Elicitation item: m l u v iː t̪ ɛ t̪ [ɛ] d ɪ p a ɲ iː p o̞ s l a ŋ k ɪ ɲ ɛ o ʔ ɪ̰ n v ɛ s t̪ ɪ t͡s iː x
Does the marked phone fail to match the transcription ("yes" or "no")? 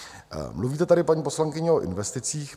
yes